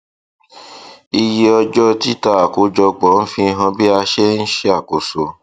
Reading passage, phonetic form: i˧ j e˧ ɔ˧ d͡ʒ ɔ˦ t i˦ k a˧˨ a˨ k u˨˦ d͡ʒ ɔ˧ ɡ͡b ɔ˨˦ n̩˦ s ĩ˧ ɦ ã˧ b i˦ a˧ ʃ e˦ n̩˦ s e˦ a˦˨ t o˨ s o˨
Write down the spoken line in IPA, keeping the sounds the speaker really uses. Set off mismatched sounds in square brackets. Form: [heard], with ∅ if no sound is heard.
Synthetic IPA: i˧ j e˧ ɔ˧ d͡ʒ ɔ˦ t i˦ [t] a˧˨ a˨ k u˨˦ d͡ʒ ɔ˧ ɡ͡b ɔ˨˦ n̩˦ [f] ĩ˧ ɦ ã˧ b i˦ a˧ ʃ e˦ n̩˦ [ʃ] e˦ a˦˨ [k] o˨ s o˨